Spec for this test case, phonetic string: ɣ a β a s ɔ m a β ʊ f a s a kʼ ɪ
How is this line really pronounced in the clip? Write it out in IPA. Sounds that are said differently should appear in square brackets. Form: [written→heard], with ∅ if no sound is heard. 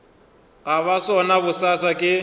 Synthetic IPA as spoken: ɣ a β a s ɔ [m→n] a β ʊ [f→s] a s a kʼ ɪ